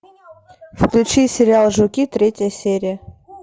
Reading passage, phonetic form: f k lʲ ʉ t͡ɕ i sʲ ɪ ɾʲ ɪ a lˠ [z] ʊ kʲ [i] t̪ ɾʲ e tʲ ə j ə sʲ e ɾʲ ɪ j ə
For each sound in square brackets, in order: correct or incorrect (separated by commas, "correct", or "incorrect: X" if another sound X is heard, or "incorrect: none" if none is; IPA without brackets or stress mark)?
incorrect: ʐ, correct